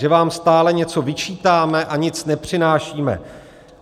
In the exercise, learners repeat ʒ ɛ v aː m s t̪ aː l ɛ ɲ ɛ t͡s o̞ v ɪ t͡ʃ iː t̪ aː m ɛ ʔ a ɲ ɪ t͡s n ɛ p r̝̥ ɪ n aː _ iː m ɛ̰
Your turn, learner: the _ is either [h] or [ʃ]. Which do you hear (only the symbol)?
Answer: ʃ